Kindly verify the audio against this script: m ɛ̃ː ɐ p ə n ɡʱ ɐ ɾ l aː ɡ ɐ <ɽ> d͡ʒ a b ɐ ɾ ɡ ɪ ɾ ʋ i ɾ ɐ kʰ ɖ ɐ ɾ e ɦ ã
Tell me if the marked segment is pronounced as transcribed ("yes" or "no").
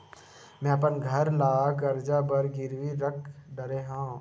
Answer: no